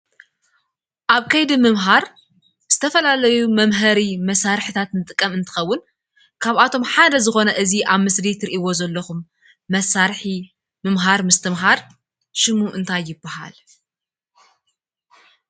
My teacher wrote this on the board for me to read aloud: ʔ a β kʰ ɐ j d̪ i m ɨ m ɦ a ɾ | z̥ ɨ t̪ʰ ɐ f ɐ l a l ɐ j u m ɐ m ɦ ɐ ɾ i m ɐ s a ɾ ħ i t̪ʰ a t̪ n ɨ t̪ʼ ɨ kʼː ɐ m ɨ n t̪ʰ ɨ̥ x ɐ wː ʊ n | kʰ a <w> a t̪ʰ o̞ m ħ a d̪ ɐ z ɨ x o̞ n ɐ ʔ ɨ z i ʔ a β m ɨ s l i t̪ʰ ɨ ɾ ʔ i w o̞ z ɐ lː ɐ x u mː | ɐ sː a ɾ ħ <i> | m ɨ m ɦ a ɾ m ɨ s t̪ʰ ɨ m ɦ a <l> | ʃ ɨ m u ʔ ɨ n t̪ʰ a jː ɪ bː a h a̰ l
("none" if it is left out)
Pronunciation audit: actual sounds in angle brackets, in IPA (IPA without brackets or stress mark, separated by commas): β, i, ɾ